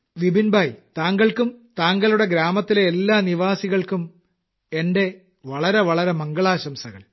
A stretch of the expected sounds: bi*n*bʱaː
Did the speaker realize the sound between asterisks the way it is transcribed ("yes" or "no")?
yes